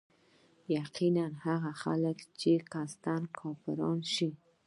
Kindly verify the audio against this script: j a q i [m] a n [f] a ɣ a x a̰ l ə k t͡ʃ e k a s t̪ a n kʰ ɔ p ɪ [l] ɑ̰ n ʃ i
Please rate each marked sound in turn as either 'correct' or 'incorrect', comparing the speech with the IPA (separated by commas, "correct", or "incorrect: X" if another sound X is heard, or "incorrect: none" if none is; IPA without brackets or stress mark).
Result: incorrect: n, incorrect: h, incorrect: ɾ